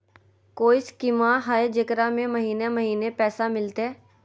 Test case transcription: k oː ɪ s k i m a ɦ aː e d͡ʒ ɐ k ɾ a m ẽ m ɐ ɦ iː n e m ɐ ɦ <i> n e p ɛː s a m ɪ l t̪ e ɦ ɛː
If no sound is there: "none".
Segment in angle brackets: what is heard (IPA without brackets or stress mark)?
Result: iː